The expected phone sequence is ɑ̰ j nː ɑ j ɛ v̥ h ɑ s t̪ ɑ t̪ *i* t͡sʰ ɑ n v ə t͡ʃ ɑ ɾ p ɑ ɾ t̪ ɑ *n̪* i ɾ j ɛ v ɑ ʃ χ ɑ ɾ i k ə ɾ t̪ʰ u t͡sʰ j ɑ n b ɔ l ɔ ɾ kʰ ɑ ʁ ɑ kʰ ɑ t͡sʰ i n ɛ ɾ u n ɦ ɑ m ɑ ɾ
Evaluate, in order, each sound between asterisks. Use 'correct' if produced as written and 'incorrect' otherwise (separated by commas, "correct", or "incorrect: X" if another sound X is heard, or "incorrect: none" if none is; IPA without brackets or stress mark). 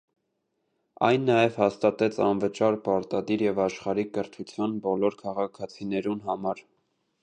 incorrect: ɛ, incorrect: d̪